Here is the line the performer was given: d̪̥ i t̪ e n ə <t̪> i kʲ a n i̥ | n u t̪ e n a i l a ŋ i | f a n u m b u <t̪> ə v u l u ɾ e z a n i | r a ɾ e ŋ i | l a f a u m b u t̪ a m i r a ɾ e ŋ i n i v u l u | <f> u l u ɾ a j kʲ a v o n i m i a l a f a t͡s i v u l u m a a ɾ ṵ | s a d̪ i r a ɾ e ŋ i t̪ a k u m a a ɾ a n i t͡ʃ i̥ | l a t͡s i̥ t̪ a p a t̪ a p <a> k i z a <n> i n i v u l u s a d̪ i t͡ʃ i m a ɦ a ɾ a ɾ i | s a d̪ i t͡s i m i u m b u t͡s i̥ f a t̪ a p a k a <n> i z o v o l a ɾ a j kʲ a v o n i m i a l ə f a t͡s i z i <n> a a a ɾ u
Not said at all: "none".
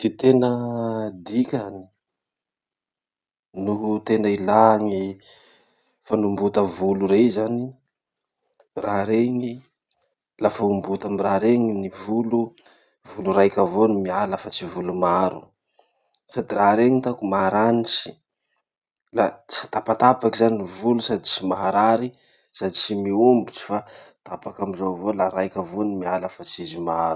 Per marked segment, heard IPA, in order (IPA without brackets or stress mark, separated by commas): d̪, t̪, v, a, n, m, m